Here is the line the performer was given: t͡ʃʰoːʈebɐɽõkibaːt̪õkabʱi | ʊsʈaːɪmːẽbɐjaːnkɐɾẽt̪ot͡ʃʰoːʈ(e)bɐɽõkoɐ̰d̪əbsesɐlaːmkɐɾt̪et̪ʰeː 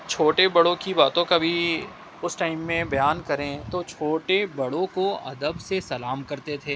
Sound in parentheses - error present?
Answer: no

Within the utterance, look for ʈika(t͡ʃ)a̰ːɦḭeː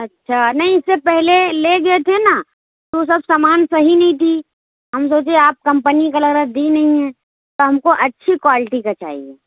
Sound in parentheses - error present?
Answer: no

